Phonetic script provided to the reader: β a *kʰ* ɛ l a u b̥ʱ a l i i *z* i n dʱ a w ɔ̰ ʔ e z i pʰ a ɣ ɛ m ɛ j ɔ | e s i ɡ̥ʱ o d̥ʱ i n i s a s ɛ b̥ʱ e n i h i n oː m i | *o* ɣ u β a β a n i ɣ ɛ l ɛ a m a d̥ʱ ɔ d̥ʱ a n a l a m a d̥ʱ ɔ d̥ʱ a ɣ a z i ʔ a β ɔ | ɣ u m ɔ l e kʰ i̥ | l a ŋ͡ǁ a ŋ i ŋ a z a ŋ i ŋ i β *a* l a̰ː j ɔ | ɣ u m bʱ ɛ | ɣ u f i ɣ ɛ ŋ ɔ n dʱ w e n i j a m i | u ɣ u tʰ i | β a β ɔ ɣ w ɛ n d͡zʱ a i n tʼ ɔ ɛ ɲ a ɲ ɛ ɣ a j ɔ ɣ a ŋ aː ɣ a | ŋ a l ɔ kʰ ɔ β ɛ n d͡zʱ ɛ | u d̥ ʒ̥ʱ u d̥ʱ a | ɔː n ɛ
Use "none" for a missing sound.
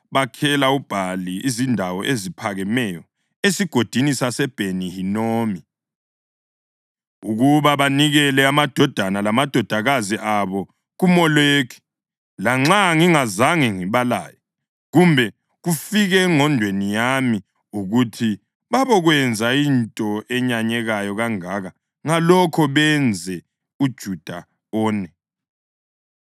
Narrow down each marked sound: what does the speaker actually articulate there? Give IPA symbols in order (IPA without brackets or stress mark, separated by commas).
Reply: kʰ, z, u, a